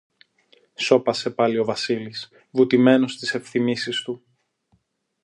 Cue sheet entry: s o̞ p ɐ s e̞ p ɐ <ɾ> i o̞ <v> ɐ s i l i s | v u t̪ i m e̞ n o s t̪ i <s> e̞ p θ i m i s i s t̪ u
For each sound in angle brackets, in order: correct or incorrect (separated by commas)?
incorrect, correct, correct